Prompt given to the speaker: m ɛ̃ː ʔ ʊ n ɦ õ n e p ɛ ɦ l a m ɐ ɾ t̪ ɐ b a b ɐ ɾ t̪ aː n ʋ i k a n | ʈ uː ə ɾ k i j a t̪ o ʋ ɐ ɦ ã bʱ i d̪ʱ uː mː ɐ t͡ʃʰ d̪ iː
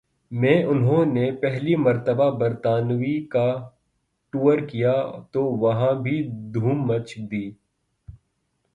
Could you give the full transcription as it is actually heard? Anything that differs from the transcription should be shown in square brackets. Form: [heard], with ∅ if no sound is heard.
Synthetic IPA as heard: m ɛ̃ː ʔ ʊ n ɦ õ n e p ɛ ɦ l [i] m ɐ ɾ t̪ [ə] b a b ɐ ɾ t̪ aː n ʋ i k a [∅] | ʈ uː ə ɾ k i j a t̪ o ʋ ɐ ɦ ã bʱ i d̪ʱ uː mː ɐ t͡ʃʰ d̪ iː

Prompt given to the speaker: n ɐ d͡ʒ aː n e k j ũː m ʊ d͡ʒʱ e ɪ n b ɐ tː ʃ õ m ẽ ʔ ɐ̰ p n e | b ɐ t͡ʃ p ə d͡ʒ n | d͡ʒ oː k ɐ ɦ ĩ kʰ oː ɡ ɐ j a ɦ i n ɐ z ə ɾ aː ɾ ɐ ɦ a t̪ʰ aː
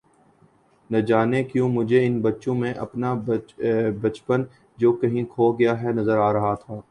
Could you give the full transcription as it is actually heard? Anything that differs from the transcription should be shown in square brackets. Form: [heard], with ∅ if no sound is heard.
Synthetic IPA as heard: n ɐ d͡ʒ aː n e k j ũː m ʊ d͡ʒʱ e ɪ n b ɐ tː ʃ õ m ẽ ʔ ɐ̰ p n [a] | b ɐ t͡ʃ p ə [∅] n | d͡ʒ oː k ɐ ɦ ĩ kʰ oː ɡ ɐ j a ɦ [ɛ] n ɐ z ə ɾ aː ɾ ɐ ɦ a t̪ʰ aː

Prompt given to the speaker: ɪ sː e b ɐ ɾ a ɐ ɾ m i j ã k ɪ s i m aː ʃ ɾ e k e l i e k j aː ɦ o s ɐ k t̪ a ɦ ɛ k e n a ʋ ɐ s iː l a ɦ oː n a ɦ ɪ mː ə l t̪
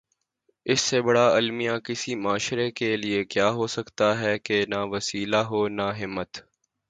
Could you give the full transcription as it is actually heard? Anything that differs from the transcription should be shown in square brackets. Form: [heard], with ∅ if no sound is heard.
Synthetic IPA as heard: ɪ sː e b ɐ [ɽ] a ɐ [l] m i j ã k ɪ s i m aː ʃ ɾ e k e l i e k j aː ɦ o s ɐ k t̪ a ɦ ɛ k e n a ʋ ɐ s iː l a ɦ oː n a ɦ ɪ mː ə [∅] t̪

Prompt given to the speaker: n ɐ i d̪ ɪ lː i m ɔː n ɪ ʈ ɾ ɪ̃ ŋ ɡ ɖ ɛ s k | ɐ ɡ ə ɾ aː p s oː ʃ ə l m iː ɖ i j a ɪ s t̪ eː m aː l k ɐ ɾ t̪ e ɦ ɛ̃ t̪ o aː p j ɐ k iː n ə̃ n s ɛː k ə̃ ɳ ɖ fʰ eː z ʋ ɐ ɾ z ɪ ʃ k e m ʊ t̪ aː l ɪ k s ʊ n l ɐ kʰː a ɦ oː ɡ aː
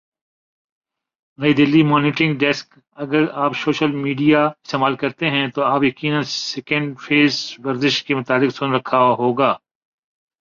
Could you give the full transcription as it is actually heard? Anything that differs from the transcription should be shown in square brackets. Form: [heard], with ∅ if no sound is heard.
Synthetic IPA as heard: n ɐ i d̪ ɪ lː i m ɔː n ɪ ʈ ɾ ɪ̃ ŋ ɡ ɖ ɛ s k | ɐ ɡ ə ɾ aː p s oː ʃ ə l m iː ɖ i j a ɪ s t̪ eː m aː l k ɐ ɾ t̪ e ɦ ɛ̃ t̪ o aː p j ɐ k iː n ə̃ n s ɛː k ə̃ ɳ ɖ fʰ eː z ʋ ɐ ɾ z ɪ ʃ k e m ʊ t̪ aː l ɪ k s ʊ n [ɾ] ɐ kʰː a ɦ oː ɡ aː

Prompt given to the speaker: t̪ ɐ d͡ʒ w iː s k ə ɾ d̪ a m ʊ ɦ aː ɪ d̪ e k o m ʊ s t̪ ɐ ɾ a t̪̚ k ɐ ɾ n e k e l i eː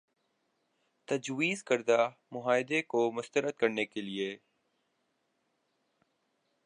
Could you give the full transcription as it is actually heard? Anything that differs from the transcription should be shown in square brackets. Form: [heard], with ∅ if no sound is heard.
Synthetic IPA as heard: t̪ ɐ d͡ʒ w iː [z] k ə ɾ d̪ a m ʊ ɦ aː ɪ d̪ e k o m ʊ s t̪ [ə] ɾ [ə] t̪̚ k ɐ ɾ n e k e l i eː

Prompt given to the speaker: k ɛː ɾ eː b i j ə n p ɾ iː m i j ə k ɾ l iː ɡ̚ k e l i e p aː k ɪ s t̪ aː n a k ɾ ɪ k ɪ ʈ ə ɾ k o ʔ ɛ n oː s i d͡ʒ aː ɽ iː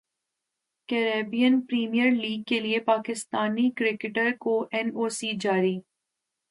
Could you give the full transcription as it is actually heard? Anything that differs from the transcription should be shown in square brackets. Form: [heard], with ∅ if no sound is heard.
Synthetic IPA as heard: k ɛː ɾ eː b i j ə n p ɾ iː m i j ə [∅] ɾ l iː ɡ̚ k e l i e p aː k ɪ s t̪ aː n [i] k ɾ ɪ k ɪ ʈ ə ɾ k o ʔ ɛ n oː s i d͡ʒ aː [ɾ] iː

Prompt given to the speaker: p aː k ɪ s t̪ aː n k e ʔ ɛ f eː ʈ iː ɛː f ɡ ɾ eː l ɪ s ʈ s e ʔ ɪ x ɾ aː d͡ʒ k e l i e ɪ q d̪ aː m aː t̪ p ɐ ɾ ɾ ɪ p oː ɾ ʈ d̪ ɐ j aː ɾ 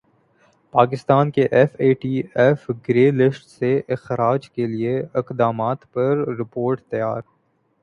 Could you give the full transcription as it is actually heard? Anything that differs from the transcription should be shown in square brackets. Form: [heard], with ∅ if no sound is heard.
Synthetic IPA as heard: p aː k ɪ s t̪ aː n k e ʔ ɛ f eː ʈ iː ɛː f ɡ ɾ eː l ɪ s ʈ s e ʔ ɪ x ɾ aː d͡ʒ k e l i e ɪ q d̪ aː m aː t̪ p ɐ ɾ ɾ ɪ p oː ɾ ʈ [t̪] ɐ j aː ɾ

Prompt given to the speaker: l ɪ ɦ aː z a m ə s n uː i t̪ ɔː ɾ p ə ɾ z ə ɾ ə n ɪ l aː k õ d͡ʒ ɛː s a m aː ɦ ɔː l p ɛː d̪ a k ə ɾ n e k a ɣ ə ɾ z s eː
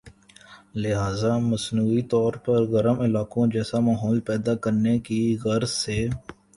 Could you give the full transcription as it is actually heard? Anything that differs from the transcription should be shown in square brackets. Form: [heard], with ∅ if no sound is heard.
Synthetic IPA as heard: l ɪ ɦ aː z a m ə s n uː i t̪ ɔː ɾ p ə ɾ [ɣ] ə ɾ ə [m] ɪ l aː k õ d͡ʒ ɛː s a m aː ɦ ɔː l p ɛː d̪ a k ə ɾ n e k [i] ɣ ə ɾ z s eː

